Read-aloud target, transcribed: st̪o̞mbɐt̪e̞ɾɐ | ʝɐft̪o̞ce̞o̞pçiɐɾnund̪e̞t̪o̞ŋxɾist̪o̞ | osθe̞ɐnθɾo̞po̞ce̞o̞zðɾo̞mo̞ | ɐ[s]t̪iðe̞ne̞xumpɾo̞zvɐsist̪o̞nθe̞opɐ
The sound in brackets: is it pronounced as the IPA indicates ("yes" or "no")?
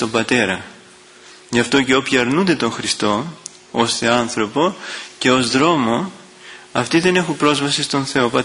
no